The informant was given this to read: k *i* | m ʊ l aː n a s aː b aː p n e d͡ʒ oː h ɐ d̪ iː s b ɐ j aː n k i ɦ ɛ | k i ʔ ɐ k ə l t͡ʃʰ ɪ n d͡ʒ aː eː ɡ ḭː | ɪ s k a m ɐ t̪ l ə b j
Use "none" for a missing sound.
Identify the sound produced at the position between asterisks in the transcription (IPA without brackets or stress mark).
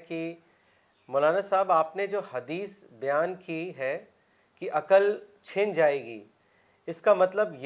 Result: i